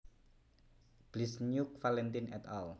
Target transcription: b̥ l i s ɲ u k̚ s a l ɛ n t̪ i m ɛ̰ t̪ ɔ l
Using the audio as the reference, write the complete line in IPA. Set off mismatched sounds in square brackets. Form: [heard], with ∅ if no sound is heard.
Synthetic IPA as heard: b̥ l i s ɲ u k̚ [f] a l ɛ n t̪ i [n] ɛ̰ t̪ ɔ l